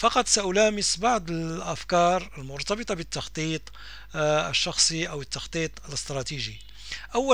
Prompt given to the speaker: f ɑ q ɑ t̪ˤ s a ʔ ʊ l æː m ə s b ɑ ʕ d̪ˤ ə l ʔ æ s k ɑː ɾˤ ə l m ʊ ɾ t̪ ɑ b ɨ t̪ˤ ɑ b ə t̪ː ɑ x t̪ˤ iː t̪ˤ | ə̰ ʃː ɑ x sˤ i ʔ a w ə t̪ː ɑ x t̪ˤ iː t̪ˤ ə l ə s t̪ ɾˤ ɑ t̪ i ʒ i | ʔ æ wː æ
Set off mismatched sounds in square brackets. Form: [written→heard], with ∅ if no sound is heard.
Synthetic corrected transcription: f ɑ q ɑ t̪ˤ s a ʔ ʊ l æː m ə s b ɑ ʕ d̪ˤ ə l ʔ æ [s→f] k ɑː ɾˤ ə l m ʊ ɾ t̪ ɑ b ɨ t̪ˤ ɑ b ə t̪ː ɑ x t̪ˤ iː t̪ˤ | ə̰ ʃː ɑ x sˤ i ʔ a w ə t̪ː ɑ x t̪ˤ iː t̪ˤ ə l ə s t̪ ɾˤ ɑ t̪ i ʒ i | ʔ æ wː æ